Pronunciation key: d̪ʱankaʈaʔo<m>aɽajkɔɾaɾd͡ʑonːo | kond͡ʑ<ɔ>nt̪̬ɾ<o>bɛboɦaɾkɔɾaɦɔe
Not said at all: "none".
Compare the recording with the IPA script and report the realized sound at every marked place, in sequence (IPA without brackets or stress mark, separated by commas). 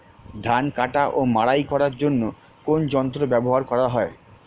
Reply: m, ɔ, o